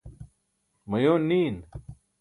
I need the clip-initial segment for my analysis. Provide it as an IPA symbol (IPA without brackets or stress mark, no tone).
m